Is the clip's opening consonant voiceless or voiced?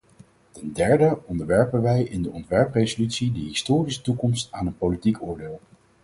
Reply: voiceless